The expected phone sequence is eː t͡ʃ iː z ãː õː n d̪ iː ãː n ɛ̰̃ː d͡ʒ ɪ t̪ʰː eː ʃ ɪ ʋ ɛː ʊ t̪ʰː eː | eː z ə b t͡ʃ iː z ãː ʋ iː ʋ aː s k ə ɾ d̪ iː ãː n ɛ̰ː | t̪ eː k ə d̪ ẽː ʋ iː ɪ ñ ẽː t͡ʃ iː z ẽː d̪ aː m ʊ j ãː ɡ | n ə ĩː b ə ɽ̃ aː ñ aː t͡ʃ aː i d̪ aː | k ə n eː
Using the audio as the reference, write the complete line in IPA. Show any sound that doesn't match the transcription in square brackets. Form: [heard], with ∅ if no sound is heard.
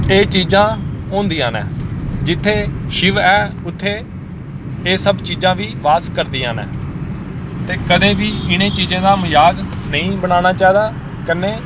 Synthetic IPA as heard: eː t͡ʃ iː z ãː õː n d̪ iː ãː n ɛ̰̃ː d͡ʒ ɪ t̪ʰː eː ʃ ɪ ʋ ɛː ʊ t̪ʰː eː | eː [s] ə b t͡ʃ iː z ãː ʋ iː ʋ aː s k ə ɾ d̪ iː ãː n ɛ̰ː | t̪ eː k ə d̪ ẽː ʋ iː ɪ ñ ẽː t͡ʃ iː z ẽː d̪ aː m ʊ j [aː] ɡ | n ə ĩː b ə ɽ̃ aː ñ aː t͡ʃ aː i d̪ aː | k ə n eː